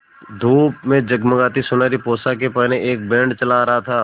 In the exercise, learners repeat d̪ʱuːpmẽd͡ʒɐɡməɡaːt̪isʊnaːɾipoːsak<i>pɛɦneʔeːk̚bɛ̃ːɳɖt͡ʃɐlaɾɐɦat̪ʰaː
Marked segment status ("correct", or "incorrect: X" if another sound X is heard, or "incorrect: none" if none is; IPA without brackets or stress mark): incorrect: e